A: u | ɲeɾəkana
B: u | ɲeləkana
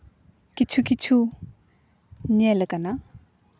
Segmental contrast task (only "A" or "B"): B